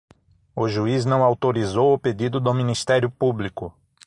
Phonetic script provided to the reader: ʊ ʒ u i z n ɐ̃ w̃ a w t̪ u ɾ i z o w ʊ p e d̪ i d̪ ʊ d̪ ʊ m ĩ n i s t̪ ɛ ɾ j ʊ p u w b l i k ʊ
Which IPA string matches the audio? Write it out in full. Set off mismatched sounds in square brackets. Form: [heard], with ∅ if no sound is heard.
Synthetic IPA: ʊ ʒ u i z n ɐ̃ w̃ a w t̪ [o] ɾ i z o w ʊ p e d̪ i d̪ ʊ d̪ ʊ m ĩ n i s t̪ ɛ ɾ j ʊ p u [∅] b l i k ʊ